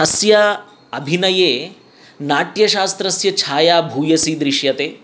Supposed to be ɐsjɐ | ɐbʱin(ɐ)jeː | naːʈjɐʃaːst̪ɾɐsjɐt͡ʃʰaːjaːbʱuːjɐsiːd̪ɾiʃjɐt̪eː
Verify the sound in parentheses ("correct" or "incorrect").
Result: correct